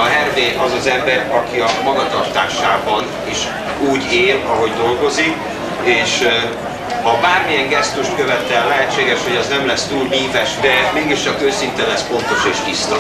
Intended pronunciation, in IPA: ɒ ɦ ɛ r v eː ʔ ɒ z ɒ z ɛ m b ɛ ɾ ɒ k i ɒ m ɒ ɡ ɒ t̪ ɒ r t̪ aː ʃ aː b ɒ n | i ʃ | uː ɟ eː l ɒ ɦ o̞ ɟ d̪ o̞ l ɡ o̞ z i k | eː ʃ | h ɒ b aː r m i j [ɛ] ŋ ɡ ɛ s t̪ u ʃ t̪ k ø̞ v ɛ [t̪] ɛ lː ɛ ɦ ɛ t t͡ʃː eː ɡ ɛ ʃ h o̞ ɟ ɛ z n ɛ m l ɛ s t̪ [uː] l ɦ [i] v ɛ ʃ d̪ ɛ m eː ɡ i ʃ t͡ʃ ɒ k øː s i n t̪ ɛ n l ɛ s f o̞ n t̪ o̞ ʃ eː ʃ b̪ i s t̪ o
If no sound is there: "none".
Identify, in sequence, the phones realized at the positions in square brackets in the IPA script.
ɛ, t̪, uː, iː

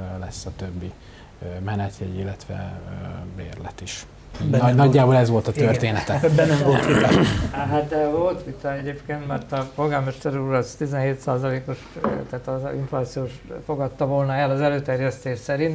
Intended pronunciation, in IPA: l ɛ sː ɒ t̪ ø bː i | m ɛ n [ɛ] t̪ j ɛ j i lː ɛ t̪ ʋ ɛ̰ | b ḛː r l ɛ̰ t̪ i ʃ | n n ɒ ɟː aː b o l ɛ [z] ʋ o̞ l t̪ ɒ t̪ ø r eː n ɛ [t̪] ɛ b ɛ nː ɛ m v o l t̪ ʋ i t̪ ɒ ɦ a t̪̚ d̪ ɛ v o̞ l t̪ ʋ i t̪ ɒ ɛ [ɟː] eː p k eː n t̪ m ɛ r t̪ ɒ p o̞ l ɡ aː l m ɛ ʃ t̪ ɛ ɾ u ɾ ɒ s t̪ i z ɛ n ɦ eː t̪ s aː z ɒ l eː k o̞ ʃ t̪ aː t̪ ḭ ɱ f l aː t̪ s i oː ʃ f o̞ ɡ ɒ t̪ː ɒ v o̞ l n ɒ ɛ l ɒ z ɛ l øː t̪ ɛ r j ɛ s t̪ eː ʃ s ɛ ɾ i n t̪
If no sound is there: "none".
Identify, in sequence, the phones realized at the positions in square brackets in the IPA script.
ɛ, z, t̪, ɟ

